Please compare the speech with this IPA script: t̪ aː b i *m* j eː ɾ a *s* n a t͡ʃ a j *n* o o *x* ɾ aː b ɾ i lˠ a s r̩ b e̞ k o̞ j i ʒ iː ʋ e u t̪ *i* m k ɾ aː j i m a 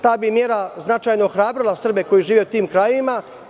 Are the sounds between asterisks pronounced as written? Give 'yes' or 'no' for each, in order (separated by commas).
yes, no, yes, yes, no